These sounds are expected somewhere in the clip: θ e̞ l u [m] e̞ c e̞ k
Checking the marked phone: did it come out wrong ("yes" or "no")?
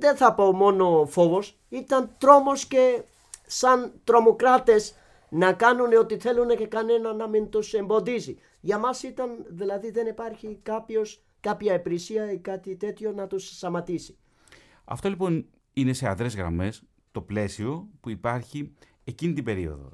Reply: yes